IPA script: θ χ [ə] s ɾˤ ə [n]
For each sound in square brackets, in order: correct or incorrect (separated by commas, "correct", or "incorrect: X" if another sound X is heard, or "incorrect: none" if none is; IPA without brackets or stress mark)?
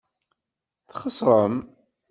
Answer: correct, incorrect: m